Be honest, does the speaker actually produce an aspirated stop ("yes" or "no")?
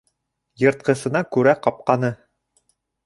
no